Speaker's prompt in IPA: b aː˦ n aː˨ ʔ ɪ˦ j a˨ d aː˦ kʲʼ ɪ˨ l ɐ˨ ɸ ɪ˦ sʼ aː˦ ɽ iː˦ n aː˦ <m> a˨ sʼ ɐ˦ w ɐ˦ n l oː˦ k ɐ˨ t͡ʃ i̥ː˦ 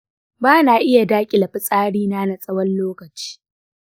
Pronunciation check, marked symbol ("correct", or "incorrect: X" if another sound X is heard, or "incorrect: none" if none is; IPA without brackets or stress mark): incorrect: n